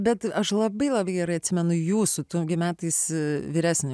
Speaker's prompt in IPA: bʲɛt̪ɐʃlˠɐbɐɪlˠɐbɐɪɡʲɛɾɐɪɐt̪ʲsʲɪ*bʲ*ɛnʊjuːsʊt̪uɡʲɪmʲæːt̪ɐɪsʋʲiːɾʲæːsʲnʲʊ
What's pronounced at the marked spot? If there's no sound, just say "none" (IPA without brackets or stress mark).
mʲ